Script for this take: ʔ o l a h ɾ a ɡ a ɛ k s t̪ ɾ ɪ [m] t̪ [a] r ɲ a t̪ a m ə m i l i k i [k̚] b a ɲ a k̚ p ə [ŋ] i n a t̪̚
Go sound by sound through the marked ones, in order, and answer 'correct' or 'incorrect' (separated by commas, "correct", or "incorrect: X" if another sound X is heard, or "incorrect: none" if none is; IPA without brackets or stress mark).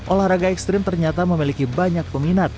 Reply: correct, incorrect: ə, incorrect: none, incorrect: m